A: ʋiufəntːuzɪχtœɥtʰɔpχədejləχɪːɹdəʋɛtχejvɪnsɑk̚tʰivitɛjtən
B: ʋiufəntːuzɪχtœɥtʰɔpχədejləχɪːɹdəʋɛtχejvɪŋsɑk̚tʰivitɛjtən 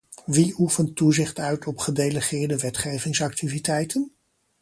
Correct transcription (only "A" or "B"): B